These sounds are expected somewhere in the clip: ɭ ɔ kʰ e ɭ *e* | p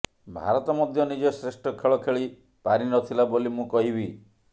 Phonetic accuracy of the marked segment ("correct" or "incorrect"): incorrect